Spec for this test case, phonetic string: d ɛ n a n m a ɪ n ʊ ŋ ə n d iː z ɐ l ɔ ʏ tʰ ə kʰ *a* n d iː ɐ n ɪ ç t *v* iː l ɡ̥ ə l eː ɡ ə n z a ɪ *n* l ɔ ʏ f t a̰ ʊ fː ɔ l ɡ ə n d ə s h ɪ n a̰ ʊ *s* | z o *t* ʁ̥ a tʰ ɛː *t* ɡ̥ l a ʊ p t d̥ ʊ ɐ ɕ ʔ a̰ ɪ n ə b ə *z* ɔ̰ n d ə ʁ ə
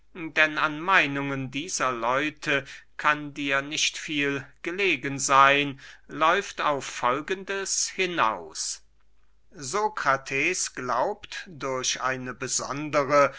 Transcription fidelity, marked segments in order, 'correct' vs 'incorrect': correct, incorrect, correct, correct, incorrect, incorrect, correct

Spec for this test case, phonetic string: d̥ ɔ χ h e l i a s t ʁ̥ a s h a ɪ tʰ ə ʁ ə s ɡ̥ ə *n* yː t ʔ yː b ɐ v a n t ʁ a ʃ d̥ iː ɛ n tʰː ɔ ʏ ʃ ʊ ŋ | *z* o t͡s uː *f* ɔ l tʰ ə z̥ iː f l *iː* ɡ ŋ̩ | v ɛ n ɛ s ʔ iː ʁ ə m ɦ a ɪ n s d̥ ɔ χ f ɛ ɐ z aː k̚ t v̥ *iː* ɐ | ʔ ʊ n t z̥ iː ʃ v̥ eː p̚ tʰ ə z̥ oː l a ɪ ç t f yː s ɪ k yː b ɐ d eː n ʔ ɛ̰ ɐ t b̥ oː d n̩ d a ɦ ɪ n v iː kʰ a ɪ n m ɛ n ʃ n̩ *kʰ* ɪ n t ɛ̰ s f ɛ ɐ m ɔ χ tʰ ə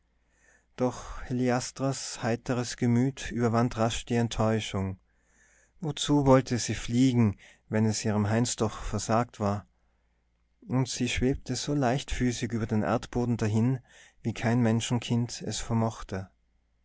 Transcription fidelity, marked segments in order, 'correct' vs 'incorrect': incorrect, incorrect, incorrect, correct, incorrect, correct

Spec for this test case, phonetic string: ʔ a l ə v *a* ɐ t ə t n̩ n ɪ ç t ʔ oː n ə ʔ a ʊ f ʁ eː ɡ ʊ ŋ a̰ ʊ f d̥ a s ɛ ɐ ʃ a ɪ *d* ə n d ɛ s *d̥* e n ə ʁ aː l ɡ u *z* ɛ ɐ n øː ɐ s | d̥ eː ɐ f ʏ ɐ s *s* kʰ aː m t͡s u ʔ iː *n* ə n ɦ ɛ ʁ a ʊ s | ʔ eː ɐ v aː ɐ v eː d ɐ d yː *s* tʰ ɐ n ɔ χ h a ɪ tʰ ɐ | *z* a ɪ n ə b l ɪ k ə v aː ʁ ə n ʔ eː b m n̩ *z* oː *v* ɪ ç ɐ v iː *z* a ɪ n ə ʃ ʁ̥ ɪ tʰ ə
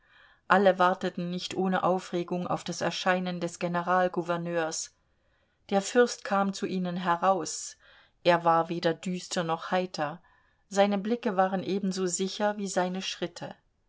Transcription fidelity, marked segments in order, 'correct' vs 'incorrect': correct, incorrect, incorrect, incorrect, incorrect, correct, correct, correct, correct, incorrect, correct

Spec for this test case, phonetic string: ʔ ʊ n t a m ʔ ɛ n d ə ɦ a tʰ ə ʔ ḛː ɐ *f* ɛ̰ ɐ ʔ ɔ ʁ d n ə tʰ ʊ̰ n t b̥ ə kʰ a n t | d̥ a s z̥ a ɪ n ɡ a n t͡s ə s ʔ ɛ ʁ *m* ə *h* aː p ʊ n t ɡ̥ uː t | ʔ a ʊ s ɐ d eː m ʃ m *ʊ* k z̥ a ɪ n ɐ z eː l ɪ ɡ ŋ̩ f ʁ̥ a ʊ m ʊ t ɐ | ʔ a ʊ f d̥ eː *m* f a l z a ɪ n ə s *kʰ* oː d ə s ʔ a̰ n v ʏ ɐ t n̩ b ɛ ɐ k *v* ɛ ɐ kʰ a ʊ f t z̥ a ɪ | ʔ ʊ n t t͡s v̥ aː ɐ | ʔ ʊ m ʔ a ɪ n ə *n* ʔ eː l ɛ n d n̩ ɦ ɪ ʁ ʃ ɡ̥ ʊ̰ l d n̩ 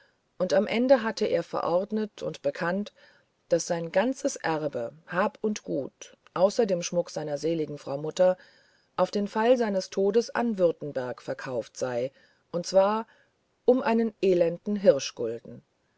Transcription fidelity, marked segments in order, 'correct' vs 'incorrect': correct, incorrect, correct, correct, incorrect, incorrect, incorrect, correct

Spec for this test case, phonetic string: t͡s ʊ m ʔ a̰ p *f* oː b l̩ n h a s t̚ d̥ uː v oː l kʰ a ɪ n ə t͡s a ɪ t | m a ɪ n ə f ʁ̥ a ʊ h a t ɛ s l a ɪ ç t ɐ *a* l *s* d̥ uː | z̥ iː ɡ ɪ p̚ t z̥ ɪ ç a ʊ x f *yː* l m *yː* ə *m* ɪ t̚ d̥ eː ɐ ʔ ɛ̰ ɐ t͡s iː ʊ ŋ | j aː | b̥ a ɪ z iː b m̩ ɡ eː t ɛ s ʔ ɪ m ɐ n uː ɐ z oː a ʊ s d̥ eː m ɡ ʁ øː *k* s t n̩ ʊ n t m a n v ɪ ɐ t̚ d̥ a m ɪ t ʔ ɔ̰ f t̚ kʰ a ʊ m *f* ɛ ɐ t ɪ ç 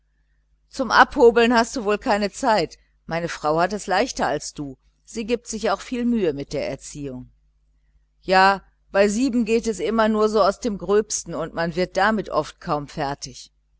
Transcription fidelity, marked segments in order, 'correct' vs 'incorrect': incorrect, correct, correct, incorrect, correct, correct, incorrect, correct

